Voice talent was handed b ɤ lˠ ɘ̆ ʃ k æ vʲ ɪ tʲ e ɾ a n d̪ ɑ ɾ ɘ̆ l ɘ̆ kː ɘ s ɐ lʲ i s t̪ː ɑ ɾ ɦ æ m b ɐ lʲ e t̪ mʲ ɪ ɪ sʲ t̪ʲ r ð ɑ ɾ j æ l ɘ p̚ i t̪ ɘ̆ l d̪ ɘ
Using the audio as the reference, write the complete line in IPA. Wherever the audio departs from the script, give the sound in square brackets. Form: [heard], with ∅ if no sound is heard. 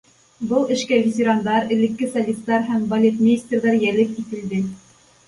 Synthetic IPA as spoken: b ɤ lˠ ɘ̆ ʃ k æ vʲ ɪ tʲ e ɾ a n d̪ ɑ ɾ ɘ̆ l ɘ̆ kː ɘ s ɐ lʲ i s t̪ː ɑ ɾ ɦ æ m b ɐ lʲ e t̪ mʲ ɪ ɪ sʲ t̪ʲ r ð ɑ ɾ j æ l ɘ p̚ i t̪ ɘ̆ l d̪ ɘ